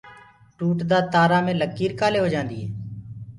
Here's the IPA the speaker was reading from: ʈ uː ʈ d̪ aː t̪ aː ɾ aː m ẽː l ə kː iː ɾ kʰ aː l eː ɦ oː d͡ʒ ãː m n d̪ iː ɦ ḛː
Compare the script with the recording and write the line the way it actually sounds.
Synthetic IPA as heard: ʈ uː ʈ d̪ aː t̪ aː ɾ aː m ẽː l ə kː iː ɾ k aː l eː ɦ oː d͡ʒ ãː n d̪ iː ɦ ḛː